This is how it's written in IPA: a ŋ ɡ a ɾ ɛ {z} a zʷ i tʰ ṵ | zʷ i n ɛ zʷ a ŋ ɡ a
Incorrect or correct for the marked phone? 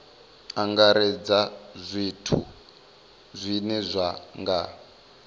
incorrect: d͡z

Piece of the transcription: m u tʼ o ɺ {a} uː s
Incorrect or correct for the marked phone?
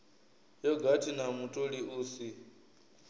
incorrect: i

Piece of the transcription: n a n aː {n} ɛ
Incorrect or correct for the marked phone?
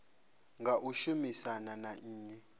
incorrect: ɲ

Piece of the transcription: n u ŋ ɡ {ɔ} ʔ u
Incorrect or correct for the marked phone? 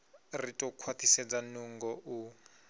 correct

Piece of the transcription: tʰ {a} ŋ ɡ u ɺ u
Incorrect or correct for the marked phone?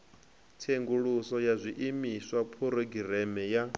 incorrect: e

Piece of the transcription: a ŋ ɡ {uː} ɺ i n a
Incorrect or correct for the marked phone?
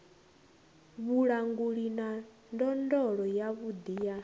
incorrect: u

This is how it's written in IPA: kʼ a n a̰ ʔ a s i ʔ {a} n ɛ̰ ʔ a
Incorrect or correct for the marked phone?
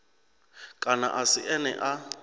incorrect: ɛ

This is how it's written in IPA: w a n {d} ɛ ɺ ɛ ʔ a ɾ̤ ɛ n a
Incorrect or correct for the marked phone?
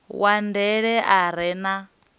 correct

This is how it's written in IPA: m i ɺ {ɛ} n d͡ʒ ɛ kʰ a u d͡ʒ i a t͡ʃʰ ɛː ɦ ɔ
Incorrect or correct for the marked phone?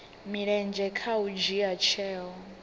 correct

